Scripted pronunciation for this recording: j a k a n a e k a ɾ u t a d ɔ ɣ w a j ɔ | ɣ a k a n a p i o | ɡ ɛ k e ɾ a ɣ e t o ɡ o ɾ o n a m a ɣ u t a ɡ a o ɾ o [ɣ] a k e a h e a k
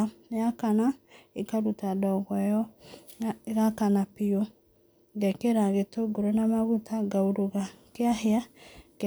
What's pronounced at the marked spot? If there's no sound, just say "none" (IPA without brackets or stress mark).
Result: ɣ